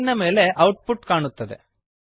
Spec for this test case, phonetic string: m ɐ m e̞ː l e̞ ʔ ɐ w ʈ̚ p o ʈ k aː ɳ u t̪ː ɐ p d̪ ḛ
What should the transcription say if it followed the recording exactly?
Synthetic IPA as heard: n ɐ m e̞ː l e̞ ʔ ɐ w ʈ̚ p u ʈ k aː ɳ u t̪ː ɐ d̪ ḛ